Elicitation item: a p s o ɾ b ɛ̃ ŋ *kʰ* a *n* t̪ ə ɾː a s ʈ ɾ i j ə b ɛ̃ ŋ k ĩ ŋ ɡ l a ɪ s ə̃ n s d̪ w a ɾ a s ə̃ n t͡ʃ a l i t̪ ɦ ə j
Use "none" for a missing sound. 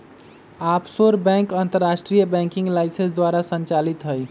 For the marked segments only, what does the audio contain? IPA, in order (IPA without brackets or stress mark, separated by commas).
k, n